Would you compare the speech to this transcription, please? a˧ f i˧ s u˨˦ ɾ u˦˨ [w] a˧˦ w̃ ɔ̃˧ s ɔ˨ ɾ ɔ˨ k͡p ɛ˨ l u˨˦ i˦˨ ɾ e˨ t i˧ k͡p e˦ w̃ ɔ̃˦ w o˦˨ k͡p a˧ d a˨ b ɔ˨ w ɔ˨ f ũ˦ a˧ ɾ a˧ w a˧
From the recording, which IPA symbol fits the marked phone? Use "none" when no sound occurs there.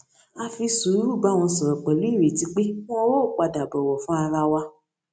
b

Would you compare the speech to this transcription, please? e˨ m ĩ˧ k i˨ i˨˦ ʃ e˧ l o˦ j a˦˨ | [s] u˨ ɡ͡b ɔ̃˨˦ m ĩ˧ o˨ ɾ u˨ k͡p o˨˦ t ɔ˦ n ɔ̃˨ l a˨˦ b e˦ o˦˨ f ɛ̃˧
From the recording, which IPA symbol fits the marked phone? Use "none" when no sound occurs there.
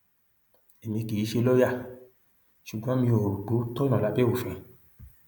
ʃ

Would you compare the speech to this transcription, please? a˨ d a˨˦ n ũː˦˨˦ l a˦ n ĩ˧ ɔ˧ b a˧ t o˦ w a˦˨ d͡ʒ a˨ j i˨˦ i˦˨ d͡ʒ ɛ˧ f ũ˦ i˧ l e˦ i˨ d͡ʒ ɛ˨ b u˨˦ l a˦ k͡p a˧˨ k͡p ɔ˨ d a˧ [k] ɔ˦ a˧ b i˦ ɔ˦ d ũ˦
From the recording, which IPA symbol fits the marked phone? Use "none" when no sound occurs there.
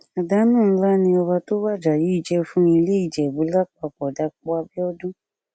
k͡p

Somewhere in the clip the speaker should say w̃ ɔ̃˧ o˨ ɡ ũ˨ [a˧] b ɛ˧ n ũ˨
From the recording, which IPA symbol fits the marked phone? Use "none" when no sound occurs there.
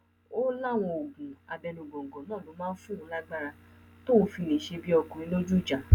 a˧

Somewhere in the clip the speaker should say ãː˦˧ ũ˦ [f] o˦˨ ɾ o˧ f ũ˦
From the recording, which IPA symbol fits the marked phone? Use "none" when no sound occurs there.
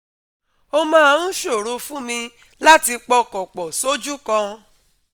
ʃ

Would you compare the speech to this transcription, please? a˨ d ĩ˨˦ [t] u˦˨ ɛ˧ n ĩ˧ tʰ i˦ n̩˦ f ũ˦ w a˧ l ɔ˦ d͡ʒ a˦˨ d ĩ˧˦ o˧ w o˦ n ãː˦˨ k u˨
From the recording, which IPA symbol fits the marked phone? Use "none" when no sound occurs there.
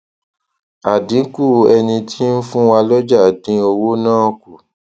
k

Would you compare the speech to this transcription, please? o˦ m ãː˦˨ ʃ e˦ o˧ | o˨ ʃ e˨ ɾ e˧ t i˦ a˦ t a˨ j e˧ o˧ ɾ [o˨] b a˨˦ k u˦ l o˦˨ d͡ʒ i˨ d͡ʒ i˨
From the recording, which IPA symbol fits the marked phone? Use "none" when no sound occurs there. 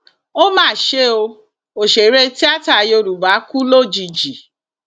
u˨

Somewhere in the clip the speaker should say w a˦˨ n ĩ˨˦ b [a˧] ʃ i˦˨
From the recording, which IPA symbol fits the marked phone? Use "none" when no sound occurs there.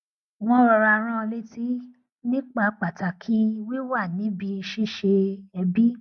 i˧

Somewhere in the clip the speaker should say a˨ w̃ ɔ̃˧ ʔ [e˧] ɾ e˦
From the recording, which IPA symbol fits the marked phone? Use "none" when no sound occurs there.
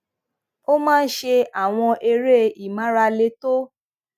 e˧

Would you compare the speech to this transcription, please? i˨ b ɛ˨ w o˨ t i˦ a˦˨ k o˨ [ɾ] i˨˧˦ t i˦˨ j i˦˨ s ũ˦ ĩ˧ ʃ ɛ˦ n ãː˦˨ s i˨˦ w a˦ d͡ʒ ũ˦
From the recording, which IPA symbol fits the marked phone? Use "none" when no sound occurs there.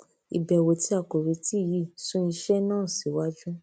ɾ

